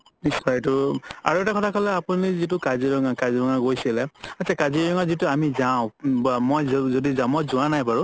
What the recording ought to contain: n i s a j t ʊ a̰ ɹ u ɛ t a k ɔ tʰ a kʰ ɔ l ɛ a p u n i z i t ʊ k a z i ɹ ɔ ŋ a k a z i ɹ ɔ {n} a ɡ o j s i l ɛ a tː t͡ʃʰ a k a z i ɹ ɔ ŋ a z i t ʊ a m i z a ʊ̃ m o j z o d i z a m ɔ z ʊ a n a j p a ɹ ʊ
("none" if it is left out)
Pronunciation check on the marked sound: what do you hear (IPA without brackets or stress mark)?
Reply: ŋ